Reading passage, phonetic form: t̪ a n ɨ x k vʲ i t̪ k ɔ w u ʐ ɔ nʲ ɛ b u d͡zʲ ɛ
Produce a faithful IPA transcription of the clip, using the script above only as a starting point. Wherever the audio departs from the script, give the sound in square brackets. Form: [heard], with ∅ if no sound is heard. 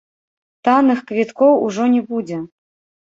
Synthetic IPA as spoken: t̪ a n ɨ x k vʲ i t̪ k ɔ w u ʐ ɔ nʲ ɛ b u d͡zʲ ɛ